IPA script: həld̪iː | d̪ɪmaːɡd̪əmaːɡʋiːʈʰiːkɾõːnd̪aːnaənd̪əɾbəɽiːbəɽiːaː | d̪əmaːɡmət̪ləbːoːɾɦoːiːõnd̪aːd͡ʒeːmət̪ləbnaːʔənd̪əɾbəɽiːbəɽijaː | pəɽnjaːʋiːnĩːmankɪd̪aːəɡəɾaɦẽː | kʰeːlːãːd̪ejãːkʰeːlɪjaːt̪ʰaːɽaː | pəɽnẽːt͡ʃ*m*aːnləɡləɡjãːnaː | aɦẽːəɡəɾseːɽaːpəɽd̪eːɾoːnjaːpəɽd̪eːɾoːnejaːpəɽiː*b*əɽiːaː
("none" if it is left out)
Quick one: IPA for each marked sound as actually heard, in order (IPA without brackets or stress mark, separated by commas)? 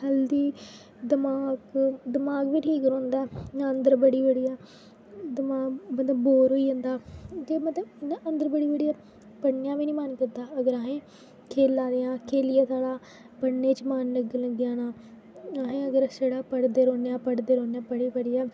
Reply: m, p